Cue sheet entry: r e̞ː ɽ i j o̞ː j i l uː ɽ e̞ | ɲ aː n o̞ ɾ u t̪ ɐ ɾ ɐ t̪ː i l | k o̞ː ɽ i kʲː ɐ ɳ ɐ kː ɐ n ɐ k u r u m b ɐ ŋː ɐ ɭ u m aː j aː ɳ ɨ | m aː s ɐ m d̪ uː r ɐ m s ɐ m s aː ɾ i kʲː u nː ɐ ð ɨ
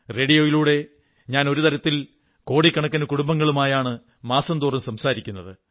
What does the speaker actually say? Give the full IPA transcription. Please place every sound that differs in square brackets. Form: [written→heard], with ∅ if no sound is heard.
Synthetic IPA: r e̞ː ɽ i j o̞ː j i l uː ɽ e̞ | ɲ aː n o̞ ɾ u t̪ ɐ ɾ ɐ t̪ː i l | k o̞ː ɽ i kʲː ɐ ɳ ɐ kː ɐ n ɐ k u [r→ɽ] u m b ɐ ŋː ɐ ɭ u m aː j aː ɳ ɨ | m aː s ɐ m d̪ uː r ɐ m s ɐ m s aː ɾ i kʲː u nː ɐ ð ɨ

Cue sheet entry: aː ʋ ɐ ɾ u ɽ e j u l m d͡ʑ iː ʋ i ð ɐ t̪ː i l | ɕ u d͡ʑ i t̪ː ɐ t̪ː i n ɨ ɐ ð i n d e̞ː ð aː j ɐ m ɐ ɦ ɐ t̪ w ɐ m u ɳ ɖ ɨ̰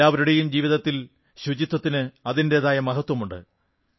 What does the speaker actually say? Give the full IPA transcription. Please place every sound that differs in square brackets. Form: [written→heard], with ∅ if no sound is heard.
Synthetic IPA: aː ʋ ɐ ɾ u ɽ e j u [l→∅] m d͡ʑ iː ʋ i ð ɐ t̪ː i l | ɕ u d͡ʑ i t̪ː ɐ t̪ː i n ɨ ɐ ð i n d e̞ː ð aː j ɐ m ɐ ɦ ɐ t̪ w ɐ m u ɳ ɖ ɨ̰

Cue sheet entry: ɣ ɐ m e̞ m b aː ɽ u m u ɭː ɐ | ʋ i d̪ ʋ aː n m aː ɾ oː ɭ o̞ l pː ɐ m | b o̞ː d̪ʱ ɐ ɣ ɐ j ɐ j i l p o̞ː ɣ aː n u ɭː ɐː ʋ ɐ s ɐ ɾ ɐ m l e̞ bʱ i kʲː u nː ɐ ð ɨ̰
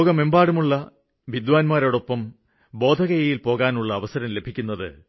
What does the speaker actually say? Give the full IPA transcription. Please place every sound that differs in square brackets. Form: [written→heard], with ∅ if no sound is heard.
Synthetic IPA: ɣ ɐ m e̞ m b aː ɽ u m u ɭː ɐ | ʋ i d̪ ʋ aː n m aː ɾ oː [ɭ→ɽ] o̞ [l→∅] pː ɐ m | b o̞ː d̪ʱ ɐ ɣ ɐ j ɐ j i l p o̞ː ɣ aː n u ɭː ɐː ʋ ɐ s ɐ ɾ ɐ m l e̞ bʱ i kʲː u nː ɐ ð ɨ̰

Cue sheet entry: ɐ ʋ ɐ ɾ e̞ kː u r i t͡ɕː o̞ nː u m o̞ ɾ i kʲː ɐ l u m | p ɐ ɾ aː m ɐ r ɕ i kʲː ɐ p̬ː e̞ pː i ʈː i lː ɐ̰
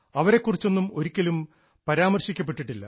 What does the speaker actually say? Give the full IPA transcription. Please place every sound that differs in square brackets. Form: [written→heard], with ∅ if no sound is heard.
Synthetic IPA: ɐ ʋ ɐ ɾ e̞ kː u r i t͡ɕː o̞ nː u m o̞ ɾ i kʲː ɐ l u m | p ɐ ɾ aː m ɐ r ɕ i kʲː ɐ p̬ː e̞ [pː→ʈː] i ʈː i lː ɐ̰

